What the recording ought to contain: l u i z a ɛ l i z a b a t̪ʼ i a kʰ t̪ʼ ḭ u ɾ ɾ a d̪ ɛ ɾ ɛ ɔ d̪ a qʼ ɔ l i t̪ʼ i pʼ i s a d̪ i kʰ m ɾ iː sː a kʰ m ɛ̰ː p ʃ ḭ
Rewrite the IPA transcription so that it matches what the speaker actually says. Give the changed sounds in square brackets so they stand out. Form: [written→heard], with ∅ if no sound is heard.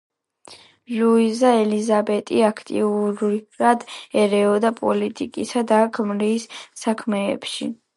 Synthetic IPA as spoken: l u i z a ɛ l i z a b [a→ɛ] t̪ʼ i a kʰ t̪ʼ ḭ u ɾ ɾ a d̪ ɛ ɾ ɛ ɔ d̪ a [qʼ→pʼ] ɔ l i t̪ʼ i [pʼ→kʼ] i s a d̪ [i→a] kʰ m ɾ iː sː a kʰ m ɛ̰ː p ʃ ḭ